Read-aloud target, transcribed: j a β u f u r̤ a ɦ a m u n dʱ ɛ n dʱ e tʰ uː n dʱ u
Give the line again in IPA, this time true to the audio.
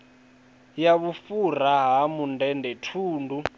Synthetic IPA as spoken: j a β u f u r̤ a ɦ a m u n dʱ ɛ n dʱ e tʰ uː n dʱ u